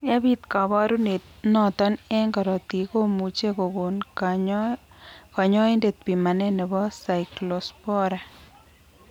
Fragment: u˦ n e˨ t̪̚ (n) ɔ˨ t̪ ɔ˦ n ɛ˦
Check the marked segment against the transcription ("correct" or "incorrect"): correct